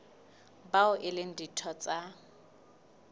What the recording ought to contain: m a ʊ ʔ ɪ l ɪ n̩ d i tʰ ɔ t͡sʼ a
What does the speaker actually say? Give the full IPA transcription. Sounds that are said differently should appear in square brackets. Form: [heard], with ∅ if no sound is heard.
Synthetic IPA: [b] a ʊ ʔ ɪ l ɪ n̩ d i tʰ ɔ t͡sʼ a